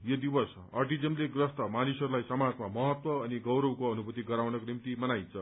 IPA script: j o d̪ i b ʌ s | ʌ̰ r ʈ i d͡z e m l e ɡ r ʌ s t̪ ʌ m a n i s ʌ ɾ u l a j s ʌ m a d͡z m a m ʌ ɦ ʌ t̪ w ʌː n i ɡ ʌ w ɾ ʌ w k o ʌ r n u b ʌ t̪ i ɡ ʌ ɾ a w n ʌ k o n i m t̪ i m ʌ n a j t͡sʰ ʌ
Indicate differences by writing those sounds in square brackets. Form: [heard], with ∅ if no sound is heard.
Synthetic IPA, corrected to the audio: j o d̪ i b ʌ s | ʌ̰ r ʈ i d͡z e m l e ɡ r ʌ s t̪ ʌ m a n i s ʌ ɾ u l a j s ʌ m a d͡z m a m ʌ ɦ ʌ t̪ w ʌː n i ɡ ʌ w ɾ ʌ w k o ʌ [∅] n u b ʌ t̪ i ɡ ʌ ɾ a w n ʌ k o n i m t̪ i m ʌ n a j t͡sʰ ʌ

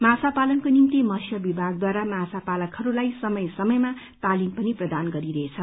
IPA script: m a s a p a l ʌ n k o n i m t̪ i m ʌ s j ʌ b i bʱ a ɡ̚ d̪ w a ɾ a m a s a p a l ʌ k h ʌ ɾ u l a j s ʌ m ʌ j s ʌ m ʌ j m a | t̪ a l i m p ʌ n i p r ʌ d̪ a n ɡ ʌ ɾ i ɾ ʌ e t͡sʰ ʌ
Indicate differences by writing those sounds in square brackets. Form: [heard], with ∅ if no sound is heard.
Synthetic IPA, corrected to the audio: m a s a p a l ʌ n k o n i m t̪ i m ʌ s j ʌ b i bʱ a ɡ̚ d̪ w a ɾ a m a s a p a l ʌ k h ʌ ɾ u l a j s ʌ m ʌ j s ʌ m ʌ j m a | t̪ a l i m p ʌ n i p r ʌ d̪ a n ɡ ʌ ɾ i ɾ ʌ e t͡sʰ ʌ

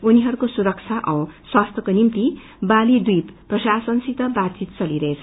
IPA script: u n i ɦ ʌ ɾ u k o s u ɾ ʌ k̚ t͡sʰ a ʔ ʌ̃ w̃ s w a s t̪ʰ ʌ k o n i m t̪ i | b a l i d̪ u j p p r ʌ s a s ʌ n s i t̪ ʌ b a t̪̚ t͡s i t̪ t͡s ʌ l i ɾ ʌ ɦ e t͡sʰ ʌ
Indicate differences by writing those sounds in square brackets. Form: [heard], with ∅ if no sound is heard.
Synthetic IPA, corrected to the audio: u n i ɦ ʌ ɾ u k o s u ɾ ʌ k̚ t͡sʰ a ʔ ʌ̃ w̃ s w a s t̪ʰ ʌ k o n i m t̪ i | b a l i d̪ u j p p r ʌ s a s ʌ n s i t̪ ʌ b a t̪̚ t͡s i t̪ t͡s ʌ l i ɾ ʌ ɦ e t͡sʰ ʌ

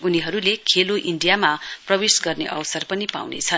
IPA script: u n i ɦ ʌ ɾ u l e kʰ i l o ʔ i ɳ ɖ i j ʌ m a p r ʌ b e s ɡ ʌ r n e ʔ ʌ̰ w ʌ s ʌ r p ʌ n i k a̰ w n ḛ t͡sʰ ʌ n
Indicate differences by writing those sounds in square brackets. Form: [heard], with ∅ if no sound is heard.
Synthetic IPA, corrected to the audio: u n i ɦ ʌ ɾ u l e kʰ [e] l o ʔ i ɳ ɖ i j [a] m a p r ʌ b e s ɡ ʌ r n e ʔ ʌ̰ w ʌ s ʌ r p ʌ n i [p] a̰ w n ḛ t͡sʰ ʌ n

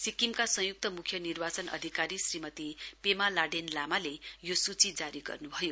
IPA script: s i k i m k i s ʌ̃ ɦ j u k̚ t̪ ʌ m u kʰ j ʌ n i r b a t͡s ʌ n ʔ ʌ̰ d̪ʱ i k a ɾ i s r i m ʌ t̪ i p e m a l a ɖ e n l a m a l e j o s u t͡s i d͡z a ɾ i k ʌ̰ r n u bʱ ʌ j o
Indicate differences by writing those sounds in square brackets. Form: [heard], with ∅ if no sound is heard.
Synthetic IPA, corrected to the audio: s i k i m k [a] s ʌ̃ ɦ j u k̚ t̪ ʌ m u kʰ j ʌ n i r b a t͡s ʌ n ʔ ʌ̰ d̪ʱ i k a ɾ i s r i m ʌ t̪ i p e m a l a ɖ e n l a m a l e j o s u t͡s i d͡z a ɾ i [ɡ] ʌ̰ r n u bʱ ʌ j o

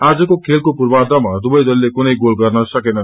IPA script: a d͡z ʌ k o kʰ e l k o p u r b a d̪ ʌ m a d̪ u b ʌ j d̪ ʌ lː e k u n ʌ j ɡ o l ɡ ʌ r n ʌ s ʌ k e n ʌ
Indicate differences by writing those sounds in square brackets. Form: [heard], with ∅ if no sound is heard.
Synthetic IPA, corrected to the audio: a d͡z ʌ k o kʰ e l k o p u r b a d̪ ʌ m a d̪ u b ʌ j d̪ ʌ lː e k u n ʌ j ɡ o l ɡ ʌ r n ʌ s ʌ k e n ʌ

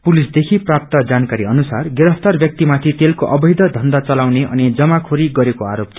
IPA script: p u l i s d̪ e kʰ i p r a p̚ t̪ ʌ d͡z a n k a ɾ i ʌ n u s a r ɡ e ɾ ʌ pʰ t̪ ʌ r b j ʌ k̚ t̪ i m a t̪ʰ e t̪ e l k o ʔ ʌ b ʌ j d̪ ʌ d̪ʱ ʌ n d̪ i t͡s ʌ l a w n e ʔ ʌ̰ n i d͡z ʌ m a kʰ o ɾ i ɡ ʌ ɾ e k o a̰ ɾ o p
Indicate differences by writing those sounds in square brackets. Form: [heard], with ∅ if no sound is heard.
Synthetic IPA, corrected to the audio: p u l i s d̪ e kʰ i p r a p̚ t̪ ʌ d͡z a n k a ɾ i ʌ n u s a r ɡ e ɾ ʌ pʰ t̪ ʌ r b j ʌ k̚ t̪ i m a t̪ʰ [i] t̪ e l k o ʔ ʌ b ʌ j d̪ ʌ d̪ʱ ʌ n d̪ [a] t͡s ʌ l a w n e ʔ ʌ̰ n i d͡z ʌ m a kʰ o ɾ i ɡ ʌ ɾ e k o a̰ ɾ o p

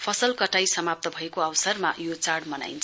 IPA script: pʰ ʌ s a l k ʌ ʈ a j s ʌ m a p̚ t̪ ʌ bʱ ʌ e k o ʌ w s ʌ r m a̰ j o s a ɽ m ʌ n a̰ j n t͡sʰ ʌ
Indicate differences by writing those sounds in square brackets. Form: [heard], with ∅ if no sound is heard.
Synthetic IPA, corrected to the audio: pʰ ʌ s [ʌ] l k ʌ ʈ a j s ʌ m a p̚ t̪ ʌ bʱ ʌ e k o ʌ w s ʌ r m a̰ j o [t͡s] a ɽ m ʌ n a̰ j n t͡sʰ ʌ

